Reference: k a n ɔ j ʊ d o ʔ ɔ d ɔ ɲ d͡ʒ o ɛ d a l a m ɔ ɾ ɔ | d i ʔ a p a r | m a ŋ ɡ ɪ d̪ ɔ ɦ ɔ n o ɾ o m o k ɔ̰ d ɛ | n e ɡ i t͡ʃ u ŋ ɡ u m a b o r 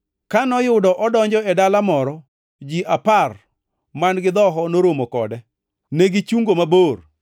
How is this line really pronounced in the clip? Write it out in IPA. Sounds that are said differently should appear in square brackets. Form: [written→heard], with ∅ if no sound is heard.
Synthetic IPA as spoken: k a n ɔ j ʊ d [o→ɔ] ʔ ɔ d ɔ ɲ d͡ʒ [o→ɔ] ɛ d a l a m ɔ ɾ ɔ | [d→d͡ʒ] i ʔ a p a r | m a [ŋ→n] ɡ ɪ d̪ ɔ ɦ ɔ n o ɾ o m o k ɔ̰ d ɛ | n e ɡ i t͡ʃ u ŋ ɡ [u→o] m a b o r